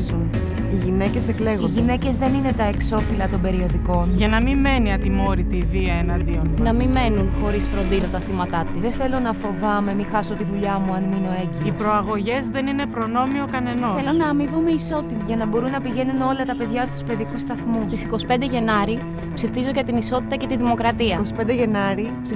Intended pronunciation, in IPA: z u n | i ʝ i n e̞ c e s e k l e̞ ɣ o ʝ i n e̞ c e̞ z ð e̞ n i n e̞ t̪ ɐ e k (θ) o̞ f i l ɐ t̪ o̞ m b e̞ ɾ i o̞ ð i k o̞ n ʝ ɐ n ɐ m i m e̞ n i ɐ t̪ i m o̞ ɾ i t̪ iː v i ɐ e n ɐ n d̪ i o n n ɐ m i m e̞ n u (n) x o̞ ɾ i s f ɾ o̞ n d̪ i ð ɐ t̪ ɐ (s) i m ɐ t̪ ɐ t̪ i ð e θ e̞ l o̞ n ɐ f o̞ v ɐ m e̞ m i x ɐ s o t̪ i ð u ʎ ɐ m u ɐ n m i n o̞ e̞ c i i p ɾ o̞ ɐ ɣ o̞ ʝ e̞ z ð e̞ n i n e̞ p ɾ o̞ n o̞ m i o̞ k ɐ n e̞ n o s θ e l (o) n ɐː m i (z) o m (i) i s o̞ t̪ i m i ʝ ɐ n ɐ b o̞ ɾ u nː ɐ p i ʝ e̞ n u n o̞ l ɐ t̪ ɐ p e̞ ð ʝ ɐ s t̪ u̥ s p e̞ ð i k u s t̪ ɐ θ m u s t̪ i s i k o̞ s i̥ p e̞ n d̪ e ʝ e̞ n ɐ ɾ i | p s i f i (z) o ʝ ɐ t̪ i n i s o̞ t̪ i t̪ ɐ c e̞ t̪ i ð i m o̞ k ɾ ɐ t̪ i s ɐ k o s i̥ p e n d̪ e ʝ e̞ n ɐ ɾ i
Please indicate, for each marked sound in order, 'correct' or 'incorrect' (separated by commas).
incorrect, correct, incorrect, correct, incorrect, incorrect, correct